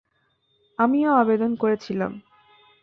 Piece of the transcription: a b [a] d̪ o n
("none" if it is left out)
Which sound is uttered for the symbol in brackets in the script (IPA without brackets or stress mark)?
e